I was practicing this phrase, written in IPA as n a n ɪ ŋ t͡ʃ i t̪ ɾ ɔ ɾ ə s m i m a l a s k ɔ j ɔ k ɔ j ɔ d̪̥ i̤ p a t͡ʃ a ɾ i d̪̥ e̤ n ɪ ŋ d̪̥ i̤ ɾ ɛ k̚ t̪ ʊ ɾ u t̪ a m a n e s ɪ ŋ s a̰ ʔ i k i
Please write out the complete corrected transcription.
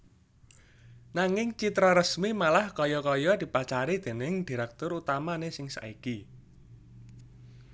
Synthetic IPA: n a ŋ ɪ ŋ t͡ʃ i t̪ ɾ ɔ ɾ ə s m i m a l a h k ɔ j ɔ k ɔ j ɔ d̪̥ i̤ p a t͡ʃ a ɾ i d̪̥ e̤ n ɪ ŋ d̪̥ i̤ ɾ ɛ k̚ t̪ ʊ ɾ u t̪ a m a n e s ɪ ŋ s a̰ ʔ i k i